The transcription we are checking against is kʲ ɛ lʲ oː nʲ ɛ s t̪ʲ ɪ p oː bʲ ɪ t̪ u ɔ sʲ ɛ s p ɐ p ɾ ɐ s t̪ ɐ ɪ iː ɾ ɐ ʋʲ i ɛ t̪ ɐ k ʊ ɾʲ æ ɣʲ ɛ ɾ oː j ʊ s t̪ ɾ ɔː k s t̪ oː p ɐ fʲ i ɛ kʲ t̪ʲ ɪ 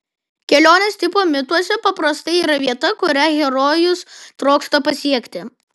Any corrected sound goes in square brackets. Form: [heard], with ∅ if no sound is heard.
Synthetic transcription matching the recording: kʲ ɛ lʲ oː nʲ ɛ s t̪ʲ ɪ p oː [mʲ] ɪ t̪ u ɔ sʲ ɛ [∅] p ɐ p ɾ ɐ s t̪ ɐ ɪ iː ɾ ɐ ʋʲ i ɛ t̪ ɐ k ʊ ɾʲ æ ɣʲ ɛ ɾ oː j ʊ s t̪ ɾ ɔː k s t̪ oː p ɐ [sʲ] i ɛ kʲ t̪ʲ ɪ